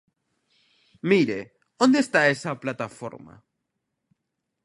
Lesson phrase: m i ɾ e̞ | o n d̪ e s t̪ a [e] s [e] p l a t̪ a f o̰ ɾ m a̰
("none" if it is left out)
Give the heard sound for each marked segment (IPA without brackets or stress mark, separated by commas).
e, a